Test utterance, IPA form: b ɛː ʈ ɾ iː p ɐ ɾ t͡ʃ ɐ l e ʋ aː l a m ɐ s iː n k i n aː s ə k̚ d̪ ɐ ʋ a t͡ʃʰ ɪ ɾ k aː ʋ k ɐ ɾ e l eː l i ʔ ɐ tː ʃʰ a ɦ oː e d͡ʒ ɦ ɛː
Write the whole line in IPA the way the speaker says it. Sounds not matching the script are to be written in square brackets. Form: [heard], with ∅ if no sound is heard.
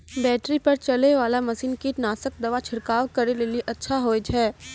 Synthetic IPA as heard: b ɛː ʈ ɾ [i] p ɐ ɾ t͡ʃ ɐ l e ʋ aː l a m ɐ s iː n k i n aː s ə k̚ d̪ ɐ ʋ a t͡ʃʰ ɪ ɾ k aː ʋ k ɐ ɾ e l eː l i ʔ ɐ tː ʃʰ a ɦ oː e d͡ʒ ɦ ɛː

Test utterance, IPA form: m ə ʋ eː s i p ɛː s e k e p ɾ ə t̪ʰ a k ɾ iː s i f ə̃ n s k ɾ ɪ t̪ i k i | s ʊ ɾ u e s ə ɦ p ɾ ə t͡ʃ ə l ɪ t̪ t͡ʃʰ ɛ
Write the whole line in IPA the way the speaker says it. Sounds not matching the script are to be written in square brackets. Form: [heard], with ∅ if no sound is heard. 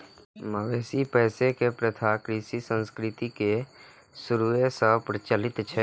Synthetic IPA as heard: m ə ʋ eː s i p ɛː s e k e p ɾ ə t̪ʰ a k ɾ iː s i [s] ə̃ n s k ɾ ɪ t̪ i k [e] | s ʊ ɾ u e s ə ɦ p ɾ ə t͡ʃ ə l ɪ t̪ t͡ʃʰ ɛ

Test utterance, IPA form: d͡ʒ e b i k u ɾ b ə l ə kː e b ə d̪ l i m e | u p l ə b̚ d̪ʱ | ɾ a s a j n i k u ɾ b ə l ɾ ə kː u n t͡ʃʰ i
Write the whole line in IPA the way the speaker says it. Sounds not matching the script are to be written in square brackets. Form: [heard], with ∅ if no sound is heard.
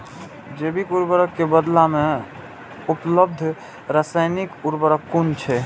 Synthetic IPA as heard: d͡ʒ e b i k u ɾ b ə [ɾ] ə kː e b ə d̪ l [a] m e | u p l ə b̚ d̪ʱ | ɾ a s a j n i k u ɾ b ə [∅] ɾ ə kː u n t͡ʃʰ [ɛ]

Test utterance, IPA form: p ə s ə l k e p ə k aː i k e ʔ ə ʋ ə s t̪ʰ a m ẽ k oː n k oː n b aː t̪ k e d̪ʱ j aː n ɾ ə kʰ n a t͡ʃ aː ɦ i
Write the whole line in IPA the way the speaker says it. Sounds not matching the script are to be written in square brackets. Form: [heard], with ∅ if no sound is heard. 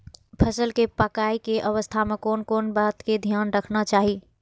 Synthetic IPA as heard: [pʰ] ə s ə l k e p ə k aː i k e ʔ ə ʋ ə s t̪ʰ a m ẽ k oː n k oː n b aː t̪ k e d̪ʱ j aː n ɾ ə kʰ n a t͡ʃ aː ɦ i

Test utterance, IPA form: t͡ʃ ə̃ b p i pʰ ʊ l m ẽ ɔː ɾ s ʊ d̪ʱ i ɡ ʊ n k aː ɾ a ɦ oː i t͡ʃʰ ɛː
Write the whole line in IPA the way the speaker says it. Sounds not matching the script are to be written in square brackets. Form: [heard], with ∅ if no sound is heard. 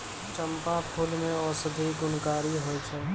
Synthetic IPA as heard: t͡ʃ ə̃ [m] p [a] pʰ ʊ l m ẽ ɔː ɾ s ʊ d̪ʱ i ɡ ʊ n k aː ɾ [i] ɦ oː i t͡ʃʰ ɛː

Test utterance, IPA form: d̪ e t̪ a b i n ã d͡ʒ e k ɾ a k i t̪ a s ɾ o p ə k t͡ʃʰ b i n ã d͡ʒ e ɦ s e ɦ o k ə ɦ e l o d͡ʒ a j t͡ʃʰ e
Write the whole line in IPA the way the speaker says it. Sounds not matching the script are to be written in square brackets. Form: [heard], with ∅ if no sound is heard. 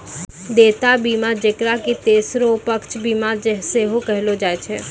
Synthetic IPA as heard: d̪ e t̪ a b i [m] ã d͡ʒ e k ɾ a k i t̪ [e] s ɾ o p ə k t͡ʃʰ b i [m] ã d͡ʒ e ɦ s e ɦ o k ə ɦ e l o d͡ʒ a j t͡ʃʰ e

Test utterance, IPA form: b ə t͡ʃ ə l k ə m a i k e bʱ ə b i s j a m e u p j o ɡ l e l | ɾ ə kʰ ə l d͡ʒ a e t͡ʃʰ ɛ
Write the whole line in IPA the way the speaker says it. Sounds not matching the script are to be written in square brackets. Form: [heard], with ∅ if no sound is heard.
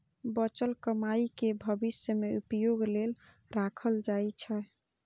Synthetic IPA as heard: b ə t͡ʃ ə l k ə m a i k e bʱ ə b i s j [ə] m e u p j o ɡ l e l | ɾ [a] kʰ ə l d͡ʒ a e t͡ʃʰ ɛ

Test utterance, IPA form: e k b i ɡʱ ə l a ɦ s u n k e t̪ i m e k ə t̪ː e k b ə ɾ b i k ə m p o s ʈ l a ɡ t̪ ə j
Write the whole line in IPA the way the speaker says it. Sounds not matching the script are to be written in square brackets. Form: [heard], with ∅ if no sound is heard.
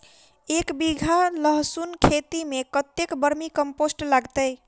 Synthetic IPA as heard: e k b i ɡʱ [a] l [ə] ɦ s u n [kʰ] e t̪ i m e k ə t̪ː e k b ə ɾ [m] i k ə m p o s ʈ l a ɡ t̪ ə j

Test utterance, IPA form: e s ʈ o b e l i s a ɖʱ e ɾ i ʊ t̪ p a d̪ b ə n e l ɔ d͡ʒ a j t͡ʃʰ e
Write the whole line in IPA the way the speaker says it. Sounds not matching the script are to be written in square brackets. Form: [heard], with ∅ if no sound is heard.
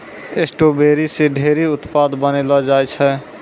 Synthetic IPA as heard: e s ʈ o b e [ɾ] i s [e] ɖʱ e ɾ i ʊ t̪ p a d̪ b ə n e l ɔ d͡ʒ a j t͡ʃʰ [ɛ]

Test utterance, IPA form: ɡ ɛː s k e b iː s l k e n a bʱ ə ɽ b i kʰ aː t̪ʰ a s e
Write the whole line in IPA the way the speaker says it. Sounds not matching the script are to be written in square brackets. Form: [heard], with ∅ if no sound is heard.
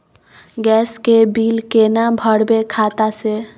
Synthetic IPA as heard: ɡ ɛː s k e b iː [∅] l k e n a bʱ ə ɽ b [e] kʰ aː [t̪] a s e

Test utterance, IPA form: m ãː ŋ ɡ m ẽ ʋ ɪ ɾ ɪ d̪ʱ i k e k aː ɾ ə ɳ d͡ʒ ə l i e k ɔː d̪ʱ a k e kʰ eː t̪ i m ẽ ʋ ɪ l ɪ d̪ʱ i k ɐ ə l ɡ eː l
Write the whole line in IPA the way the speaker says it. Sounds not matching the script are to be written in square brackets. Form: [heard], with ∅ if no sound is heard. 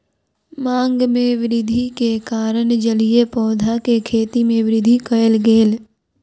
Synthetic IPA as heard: m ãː ŋ ɡ m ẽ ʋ ɪ ɾ ɪ d̪ʱ i k e k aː ɾ ə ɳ d͡ʒ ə l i e [p] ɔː d̪ʱ a k e kʰ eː t̪ i m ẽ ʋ ɪ [ɾ] ɪ d̪ʱ i k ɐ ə l ɡ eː l

